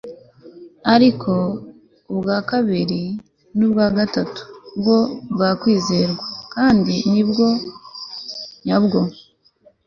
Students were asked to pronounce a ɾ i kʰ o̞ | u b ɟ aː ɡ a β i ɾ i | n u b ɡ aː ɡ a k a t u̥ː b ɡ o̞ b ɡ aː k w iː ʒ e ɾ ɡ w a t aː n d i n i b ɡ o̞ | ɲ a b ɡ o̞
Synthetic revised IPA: a ɾ i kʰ o̞ | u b ɡ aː k a β i ɾ i | n u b ɡ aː ɡ a t a t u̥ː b ɡ o̞ b ɡ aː k w iː z e ɾ ɡ w a k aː n d i n i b ɡ o̞ | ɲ a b ɡ o̞

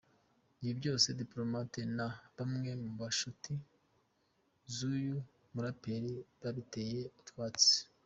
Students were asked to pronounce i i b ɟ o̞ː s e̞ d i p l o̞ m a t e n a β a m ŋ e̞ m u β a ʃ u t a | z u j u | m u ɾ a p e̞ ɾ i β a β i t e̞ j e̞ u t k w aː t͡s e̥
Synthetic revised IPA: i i b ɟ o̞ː s e̞ d i p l o̞ m a t e n a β a m ŋ e̞ m u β a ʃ u t i | z u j u | m u ɾ a p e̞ ɾ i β a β i t e̞ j e̞ u t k w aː t͡s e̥

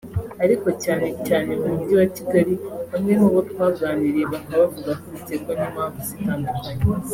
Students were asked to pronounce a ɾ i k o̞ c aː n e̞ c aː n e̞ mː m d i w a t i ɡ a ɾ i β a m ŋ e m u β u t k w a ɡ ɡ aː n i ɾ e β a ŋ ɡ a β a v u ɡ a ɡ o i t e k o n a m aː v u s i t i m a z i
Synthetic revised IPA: a ɾ i k o̞ c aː n e̞ c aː n e̞ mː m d i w a t i ɡ a ɾ i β a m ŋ e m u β o t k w a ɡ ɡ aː n i ɾ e β a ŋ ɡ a β a v u ɡ a k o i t e k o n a m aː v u s i t a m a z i

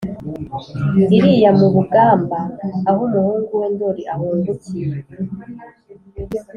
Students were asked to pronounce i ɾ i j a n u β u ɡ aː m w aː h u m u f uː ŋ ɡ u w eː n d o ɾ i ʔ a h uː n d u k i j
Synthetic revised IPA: i ɾ i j a m u β u ɡ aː m b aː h u m u h uː ŋ ɡ u w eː n d o ɾ i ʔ a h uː n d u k i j

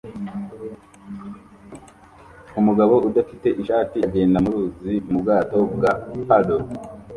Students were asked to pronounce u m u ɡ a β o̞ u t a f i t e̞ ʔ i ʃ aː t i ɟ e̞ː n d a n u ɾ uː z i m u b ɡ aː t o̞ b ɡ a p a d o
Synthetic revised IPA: u m u ɡ a β o̞ u d a f i t e̞ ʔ i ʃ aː t i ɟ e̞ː n d a m u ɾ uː z i m u b ɡ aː t o̞ b ɡ a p a d o

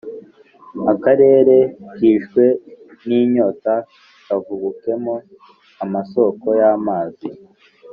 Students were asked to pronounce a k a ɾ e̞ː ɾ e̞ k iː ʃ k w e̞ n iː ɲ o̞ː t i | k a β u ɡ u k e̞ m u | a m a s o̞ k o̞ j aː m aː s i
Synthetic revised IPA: a k a ɾ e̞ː ɾ e̞ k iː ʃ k w e̞ n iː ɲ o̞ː t a | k a v u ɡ u k e̞ m o | a m a s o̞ k o̞ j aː m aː z i

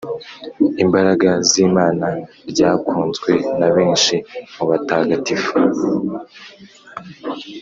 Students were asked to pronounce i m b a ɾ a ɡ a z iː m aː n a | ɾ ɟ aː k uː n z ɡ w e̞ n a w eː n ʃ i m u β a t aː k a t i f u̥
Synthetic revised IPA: i m b a ɾ a ɡ a z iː m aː n a | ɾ ɟ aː k uː n z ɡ w e̞ n a β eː n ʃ i m u β a t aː ɡ a t i f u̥

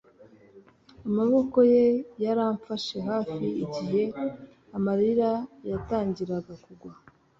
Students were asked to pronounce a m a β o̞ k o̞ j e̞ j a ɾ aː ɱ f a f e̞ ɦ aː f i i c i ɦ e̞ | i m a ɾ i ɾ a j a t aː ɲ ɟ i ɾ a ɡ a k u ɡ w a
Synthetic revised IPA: a m a β o̞ k o̞ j e̞ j a ɾ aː ɱ f a ʃ e̞ ɦ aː f i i ɟ i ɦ e̞ | a m a ɾ i ɾ a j a t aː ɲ ɟ i ɾ a ɡ a k u ɡ w a

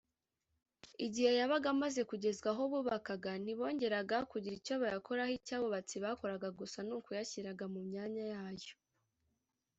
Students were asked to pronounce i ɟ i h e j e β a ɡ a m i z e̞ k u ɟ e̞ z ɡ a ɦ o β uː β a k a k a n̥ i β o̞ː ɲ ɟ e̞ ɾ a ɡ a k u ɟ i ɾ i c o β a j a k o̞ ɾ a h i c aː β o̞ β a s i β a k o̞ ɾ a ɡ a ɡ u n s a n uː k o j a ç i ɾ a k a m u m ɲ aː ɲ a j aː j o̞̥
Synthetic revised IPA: i ɟ i h e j a β a ɡ a m a z e̞ k u ɟ e̞ z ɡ a ɦ o β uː β a k a ɡ a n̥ i β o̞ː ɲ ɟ e̞ ɾ a ɡ a k u ɟ i ɾ i c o β a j a k o̞ ɾ a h i c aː β o̞ β a t͡s i β a k o̞ ɾ a ɡ a ɡ u s a n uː k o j a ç i ɾ a ɡ a m u m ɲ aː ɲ a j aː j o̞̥

